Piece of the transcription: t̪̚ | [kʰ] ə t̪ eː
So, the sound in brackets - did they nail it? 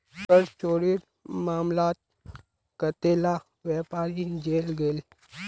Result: no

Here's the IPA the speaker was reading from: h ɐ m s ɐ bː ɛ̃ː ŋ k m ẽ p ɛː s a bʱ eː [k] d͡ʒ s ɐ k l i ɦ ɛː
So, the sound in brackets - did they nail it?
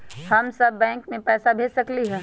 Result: no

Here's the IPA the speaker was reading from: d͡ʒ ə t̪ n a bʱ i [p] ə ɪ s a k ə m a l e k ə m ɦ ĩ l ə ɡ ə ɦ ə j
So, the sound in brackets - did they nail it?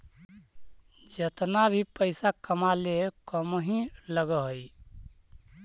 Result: yes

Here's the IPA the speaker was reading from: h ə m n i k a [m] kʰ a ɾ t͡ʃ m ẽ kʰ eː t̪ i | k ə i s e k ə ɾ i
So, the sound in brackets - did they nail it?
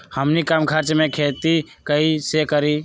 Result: yes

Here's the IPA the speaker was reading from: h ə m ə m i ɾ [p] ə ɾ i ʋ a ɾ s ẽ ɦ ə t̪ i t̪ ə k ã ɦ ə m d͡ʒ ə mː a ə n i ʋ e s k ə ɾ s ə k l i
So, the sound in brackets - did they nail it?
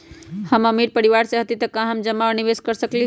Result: yes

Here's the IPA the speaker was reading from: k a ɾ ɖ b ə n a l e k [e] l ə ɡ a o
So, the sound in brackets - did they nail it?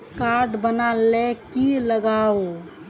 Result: no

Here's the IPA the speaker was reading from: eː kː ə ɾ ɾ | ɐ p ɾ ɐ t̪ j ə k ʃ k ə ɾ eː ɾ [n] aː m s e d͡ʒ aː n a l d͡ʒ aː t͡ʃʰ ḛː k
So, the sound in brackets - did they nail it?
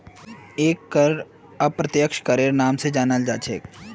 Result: yes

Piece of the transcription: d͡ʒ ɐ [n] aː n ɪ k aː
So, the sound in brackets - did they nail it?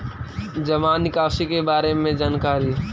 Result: no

